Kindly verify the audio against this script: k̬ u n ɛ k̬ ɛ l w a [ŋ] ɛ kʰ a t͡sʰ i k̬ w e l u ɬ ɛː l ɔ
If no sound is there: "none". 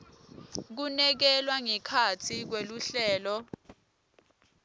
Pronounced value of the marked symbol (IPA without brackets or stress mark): ŋ